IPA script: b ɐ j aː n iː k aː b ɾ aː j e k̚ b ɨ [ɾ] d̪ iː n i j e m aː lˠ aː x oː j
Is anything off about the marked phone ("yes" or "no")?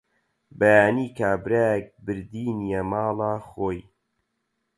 no